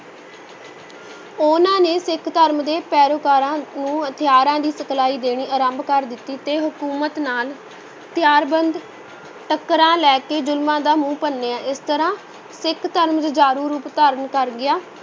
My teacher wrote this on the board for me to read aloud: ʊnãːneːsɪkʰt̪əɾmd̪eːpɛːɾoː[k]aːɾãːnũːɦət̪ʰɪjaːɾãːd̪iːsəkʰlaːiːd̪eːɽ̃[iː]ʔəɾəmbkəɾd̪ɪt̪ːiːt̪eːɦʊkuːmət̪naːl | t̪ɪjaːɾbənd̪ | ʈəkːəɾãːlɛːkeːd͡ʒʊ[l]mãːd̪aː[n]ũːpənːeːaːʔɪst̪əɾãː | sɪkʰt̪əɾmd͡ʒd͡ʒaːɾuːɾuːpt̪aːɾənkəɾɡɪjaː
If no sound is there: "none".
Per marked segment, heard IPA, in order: k, iː, l, m

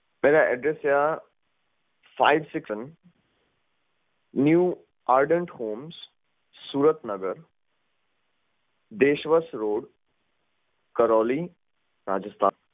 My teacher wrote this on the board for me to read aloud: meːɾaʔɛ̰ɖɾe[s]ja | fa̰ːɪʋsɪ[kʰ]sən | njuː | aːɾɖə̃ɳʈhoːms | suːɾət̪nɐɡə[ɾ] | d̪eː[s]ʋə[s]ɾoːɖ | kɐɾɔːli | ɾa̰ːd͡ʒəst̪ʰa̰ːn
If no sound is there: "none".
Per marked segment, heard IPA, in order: s, k, ɾ, ʃ, s

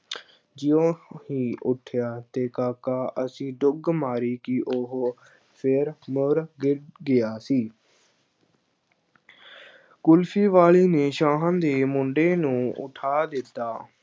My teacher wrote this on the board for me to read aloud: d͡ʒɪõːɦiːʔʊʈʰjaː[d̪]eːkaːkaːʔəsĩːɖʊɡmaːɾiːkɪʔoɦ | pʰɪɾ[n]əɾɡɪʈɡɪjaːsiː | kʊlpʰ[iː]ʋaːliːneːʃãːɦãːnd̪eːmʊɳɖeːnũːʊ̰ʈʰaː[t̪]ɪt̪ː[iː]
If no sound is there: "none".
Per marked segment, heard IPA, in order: t̪, m, iː, d̪, aː

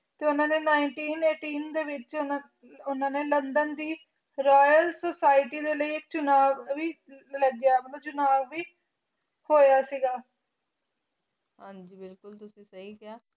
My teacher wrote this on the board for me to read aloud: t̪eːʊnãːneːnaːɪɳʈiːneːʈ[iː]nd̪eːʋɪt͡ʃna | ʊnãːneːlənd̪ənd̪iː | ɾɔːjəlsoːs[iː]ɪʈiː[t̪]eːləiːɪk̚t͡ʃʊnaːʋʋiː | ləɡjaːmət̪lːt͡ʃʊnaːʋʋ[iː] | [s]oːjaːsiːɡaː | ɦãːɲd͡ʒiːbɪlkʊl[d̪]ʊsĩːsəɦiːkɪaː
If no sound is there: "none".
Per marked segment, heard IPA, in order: iː, aː, d̪, iː, h, t̪

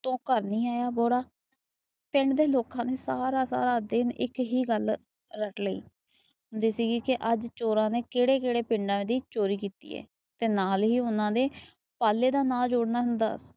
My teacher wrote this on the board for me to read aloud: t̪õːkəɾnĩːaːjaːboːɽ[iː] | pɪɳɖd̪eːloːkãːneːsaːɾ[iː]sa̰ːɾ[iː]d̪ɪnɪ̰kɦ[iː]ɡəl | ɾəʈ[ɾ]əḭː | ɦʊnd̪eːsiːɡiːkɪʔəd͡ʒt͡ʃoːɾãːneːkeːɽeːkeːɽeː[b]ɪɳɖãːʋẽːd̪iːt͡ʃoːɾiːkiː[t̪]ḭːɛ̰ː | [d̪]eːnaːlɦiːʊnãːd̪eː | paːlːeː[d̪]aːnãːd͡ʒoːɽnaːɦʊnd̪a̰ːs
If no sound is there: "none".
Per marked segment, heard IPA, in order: aː, aː, aː, iː, l, p, t̪, t̪, d̪

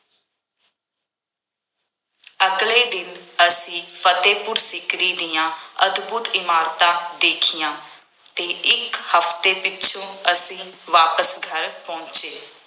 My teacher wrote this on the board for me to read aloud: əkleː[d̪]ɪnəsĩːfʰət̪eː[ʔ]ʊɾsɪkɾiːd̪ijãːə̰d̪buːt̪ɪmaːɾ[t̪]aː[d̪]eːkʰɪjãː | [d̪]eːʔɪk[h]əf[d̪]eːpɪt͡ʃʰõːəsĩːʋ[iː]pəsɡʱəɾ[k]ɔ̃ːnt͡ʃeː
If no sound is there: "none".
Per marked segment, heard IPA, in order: d̪, p, t̪, d̪, t̪, h, t̪, aː, p

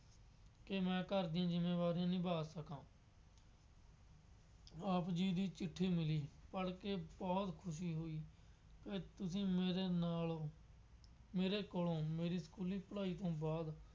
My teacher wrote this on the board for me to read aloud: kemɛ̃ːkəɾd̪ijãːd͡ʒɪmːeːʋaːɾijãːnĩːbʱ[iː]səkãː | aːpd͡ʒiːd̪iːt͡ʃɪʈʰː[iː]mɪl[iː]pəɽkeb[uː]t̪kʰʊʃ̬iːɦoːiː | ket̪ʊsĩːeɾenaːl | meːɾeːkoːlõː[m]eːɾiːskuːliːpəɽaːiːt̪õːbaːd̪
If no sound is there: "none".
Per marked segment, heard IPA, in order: aː, iː, iː, ɔː, m

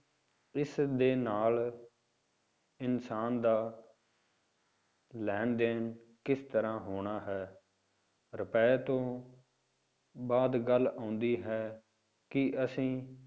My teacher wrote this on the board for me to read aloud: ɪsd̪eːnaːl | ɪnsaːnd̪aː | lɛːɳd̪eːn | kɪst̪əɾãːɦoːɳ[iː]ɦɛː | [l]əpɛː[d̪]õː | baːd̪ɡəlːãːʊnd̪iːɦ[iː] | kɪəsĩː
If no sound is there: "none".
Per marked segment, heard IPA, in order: aː, ɾ, t̪, ɛː

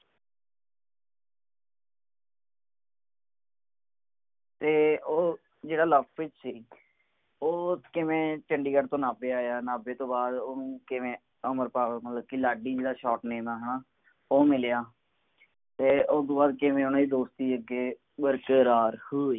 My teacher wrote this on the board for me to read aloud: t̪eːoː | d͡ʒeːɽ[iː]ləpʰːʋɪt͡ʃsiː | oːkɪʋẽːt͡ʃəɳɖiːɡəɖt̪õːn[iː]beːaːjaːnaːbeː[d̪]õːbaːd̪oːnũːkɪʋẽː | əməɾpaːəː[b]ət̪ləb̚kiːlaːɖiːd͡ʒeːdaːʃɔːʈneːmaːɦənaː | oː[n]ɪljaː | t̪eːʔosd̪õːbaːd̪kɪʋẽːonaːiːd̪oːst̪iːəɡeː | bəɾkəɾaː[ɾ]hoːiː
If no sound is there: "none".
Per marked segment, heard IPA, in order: aː, aː, t̪, m, m, ɾ

